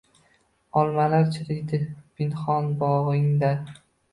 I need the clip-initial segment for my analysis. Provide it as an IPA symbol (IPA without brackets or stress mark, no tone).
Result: ɒ